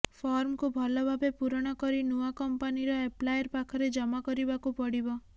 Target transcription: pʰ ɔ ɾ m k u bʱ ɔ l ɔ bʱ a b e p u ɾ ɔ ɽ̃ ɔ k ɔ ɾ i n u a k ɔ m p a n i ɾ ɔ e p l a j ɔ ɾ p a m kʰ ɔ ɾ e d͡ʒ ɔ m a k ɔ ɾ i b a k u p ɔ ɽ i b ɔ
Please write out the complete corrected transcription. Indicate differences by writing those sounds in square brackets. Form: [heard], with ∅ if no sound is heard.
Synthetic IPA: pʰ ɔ ɾ m k u bʱ ɔ l ɔ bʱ a b e p u ɾ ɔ ɽ̃ ɔ k ɔ ɾ i n u a k ɔ m p a n i ɾ ɔ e p l a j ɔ ɾ p a [∅] kʰ ɔ ɾ e d͡ʒ ɔ m a k ɔ ɾ i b a k u p ɔ ɽ i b ɔ